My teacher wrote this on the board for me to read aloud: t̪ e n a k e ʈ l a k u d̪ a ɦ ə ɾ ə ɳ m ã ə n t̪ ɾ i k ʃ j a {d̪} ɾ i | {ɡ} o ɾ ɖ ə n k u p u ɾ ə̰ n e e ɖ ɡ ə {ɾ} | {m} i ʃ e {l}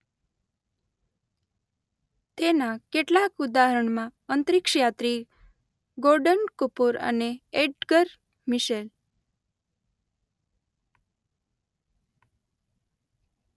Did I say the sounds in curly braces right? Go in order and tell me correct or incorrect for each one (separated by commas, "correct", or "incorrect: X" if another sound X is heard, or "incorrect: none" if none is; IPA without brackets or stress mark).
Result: incorrect: t̪, correct, correct, correct, correct